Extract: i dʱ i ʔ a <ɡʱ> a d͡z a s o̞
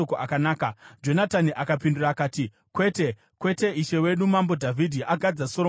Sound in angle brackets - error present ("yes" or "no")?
no